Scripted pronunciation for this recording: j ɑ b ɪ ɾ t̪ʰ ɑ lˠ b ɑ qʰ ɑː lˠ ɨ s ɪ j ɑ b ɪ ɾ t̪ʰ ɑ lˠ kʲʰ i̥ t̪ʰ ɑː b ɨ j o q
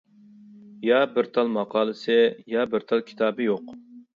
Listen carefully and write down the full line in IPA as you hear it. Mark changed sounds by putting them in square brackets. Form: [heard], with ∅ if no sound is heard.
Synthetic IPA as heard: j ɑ b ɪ ɾ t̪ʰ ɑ lˠ [m] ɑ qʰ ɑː lˠ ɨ s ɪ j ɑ b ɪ ɾ t̪ʰ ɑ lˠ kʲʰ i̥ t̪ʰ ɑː b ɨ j o q